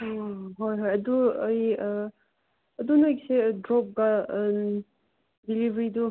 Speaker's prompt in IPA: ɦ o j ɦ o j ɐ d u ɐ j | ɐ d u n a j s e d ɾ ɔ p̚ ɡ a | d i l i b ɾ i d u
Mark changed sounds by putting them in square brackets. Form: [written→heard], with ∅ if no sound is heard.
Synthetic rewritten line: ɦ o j ɦ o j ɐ d u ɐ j | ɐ d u n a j s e d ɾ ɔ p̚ ɡ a | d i l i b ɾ i d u